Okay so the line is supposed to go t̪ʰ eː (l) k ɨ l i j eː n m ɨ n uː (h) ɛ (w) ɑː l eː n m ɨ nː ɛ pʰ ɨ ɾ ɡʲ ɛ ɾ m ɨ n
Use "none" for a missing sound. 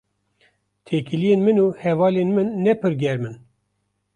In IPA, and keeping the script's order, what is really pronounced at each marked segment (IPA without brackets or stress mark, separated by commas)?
none, h, v